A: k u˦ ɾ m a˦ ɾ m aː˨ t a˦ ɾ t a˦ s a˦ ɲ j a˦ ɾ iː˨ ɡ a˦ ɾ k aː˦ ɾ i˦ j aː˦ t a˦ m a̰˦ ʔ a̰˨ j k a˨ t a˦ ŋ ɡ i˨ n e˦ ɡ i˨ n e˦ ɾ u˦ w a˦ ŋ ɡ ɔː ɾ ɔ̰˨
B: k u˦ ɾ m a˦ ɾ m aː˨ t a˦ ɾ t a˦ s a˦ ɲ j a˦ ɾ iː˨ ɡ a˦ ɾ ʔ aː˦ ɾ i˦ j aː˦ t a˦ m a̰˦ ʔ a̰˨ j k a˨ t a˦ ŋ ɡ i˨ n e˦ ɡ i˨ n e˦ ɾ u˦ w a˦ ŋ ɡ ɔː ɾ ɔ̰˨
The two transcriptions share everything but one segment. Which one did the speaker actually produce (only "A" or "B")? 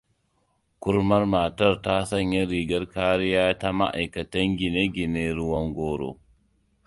A